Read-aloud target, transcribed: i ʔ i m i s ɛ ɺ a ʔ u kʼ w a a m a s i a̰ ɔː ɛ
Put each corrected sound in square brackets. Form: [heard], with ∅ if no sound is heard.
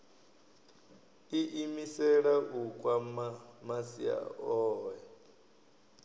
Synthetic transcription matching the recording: i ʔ i m i s ɛ ɺ a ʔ u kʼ w a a m a s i a̰ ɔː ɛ